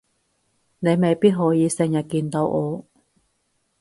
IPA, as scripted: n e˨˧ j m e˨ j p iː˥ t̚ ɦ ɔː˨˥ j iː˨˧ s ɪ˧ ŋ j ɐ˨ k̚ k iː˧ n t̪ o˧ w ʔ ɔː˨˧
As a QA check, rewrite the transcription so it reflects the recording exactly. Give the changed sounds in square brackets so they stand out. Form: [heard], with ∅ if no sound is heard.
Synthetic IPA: n e˨˧ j m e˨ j p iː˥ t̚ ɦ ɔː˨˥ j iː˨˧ s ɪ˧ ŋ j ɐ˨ [t̚] k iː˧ n t̪ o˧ w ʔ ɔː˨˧